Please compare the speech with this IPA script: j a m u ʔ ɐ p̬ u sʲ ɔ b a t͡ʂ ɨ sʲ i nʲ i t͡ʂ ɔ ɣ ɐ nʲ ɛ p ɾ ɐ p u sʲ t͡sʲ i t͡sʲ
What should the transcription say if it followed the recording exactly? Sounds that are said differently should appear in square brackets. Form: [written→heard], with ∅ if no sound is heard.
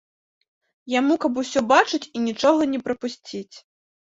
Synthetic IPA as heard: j a m u [ʔ→k] ɐ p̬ u sʲ ɔ b a t͡ʂ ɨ [sʲ→t͡sʲ] i nʲ i t͡ʂ ɔ ɣ ɐ nʲ ɛ p ɾ ɐ p u sʲ t͡sʲ i t͡sʲ